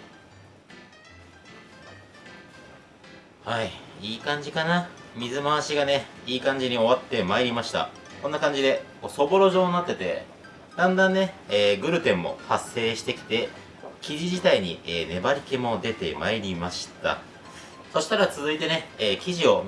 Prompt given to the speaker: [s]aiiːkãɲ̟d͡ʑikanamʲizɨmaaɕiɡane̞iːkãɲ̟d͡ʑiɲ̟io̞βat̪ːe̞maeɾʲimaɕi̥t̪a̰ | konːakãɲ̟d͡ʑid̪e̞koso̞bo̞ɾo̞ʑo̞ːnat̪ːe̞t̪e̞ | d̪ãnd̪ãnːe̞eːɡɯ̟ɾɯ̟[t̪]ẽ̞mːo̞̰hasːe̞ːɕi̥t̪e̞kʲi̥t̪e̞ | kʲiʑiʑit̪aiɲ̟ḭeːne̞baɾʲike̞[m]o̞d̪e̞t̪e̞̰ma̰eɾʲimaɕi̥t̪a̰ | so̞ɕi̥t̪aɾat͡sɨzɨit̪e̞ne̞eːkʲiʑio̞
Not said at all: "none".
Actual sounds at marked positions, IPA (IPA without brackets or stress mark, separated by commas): h, t̪, m